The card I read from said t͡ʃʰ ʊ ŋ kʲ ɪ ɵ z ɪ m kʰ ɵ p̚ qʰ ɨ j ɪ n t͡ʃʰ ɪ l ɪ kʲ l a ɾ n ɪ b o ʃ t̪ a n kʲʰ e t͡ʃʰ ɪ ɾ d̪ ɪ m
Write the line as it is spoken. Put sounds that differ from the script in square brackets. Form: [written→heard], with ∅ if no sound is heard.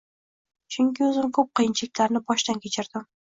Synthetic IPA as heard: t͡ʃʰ ʊ ŋ kʲ ɪ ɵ z ɪ m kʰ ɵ p̚ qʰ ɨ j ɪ n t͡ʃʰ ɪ l ɪ kʲ l a ɾ n ɪ b [o→ɒ] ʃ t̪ a n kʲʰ e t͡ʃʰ ɪ ɾ d̪ ɪ m